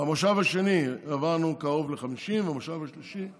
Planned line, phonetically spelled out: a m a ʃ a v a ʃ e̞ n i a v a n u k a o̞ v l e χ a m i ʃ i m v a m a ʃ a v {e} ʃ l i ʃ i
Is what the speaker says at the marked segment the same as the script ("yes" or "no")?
no